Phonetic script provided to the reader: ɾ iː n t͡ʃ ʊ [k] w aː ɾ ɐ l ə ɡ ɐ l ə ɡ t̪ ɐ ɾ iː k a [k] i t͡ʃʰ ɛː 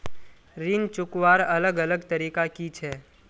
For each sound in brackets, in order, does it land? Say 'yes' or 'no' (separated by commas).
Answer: yes, yes